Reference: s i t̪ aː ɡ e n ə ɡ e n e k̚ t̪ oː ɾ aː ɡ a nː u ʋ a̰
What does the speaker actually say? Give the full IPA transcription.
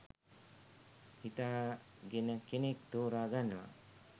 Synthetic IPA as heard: h i t̪ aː ɡ e n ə k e n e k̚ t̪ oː ɾ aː ɡ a nː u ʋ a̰

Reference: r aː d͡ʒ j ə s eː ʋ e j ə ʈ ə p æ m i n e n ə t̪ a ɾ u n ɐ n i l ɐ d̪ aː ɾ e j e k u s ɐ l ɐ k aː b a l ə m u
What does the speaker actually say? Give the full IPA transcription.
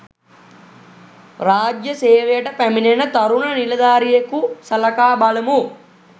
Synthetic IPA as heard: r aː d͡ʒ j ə s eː ʋ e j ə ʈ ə p æ m i n e n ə t̪ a ɾ u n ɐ n i l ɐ d̪ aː ɾ i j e k u s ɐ l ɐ k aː b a l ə m u

